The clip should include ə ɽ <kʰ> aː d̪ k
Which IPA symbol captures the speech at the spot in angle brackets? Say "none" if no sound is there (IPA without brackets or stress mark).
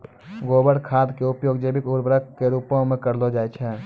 kʰ